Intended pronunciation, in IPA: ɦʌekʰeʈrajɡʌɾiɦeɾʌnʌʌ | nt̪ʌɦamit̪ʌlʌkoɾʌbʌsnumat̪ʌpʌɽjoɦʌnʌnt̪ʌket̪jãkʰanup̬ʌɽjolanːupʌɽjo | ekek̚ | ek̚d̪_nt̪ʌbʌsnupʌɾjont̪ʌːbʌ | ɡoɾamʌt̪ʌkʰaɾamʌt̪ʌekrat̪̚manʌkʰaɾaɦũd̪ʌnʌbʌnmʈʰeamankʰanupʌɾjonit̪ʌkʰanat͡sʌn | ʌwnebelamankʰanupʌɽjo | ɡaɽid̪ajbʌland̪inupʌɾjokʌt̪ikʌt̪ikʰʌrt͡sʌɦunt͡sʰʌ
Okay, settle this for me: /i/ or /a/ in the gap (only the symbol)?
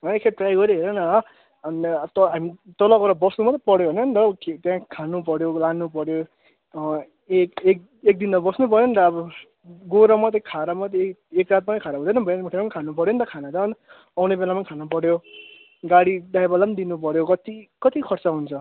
i